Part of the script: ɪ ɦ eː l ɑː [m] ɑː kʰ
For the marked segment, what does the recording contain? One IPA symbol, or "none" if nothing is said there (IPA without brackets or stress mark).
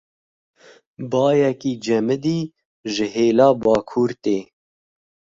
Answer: b